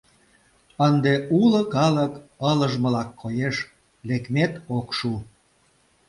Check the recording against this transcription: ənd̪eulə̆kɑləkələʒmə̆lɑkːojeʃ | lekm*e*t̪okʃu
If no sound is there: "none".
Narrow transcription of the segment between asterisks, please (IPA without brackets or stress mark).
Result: e